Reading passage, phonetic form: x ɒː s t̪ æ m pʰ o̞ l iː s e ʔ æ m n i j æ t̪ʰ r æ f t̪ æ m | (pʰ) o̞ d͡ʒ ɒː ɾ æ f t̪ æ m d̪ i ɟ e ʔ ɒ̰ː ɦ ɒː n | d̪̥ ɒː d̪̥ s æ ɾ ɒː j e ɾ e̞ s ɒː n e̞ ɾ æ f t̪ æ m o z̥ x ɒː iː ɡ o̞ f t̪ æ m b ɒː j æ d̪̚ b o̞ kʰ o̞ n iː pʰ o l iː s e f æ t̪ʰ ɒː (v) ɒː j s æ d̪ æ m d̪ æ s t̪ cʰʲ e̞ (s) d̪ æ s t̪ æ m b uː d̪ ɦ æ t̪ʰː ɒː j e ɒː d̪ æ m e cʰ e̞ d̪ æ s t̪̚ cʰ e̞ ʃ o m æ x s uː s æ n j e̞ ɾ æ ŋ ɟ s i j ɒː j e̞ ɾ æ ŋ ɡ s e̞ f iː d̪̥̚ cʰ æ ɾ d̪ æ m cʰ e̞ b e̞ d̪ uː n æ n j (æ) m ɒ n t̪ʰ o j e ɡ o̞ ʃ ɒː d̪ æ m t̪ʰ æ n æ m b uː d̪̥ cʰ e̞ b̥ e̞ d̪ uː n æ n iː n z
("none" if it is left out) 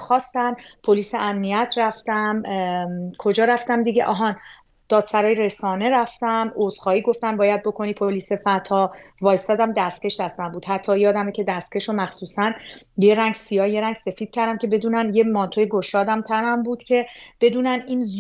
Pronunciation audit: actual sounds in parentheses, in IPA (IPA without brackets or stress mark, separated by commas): kʰ, v, ʃ, e